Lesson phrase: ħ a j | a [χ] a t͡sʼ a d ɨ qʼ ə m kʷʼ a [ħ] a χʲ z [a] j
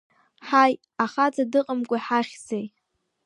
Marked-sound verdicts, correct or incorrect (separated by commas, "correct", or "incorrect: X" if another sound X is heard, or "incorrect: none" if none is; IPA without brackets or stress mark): correct, correct, incorrect: e